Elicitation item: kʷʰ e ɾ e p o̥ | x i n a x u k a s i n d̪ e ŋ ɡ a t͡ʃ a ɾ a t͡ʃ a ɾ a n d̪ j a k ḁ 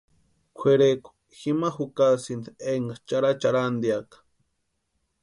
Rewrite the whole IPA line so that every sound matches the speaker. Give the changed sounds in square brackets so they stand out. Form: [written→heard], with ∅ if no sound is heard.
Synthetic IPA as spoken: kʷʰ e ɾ e [p→k] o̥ | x i [n→m] a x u k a s i n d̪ e ŋ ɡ a t͡ʃ a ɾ a t͡ʃ a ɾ a n d̪ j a k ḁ